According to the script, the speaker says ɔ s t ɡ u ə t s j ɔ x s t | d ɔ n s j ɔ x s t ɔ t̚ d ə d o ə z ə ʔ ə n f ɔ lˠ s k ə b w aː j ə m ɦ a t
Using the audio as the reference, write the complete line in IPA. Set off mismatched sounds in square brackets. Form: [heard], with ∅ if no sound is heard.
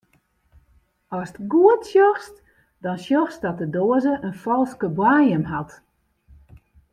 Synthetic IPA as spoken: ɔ s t ɡ u ə t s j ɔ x s t | d ɔ n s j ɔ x s [d] ɔ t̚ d ə d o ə z ə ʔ ə n f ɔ lˠ s k ə b w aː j ə m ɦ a t